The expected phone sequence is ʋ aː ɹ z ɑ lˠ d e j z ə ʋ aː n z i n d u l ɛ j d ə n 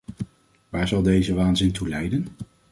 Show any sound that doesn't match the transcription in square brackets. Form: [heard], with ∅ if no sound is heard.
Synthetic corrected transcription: ʋ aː ɹ z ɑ lˠ d e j z ə ʋ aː n z [ɪ] n [t] u l ɛ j d ə n